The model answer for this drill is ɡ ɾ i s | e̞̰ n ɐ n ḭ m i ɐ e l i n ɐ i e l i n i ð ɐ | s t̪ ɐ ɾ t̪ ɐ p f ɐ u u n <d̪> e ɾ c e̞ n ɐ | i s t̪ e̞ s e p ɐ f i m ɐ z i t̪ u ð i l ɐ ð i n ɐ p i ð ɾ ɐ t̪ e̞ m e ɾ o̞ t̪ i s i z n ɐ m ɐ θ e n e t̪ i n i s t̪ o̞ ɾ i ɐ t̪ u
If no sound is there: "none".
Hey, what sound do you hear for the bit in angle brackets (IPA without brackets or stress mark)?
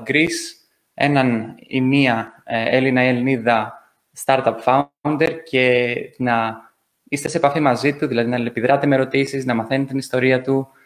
d̪